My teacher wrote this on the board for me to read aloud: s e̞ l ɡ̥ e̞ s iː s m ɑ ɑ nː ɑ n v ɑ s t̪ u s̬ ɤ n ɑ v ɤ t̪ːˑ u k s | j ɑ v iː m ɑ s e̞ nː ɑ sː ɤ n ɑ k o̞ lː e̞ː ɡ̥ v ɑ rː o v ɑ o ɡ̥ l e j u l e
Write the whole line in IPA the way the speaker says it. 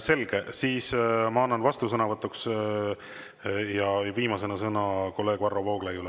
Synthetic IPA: s e̞ l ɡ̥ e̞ s iː s m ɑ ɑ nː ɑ n v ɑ s t̪ u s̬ ɤ n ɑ v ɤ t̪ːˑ u k s | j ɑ v iː m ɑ s e̞ n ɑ s ɤ n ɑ k o̞ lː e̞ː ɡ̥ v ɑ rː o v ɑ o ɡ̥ l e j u l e